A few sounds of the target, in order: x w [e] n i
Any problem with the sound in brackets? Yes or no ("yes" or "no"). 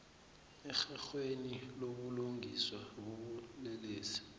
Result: no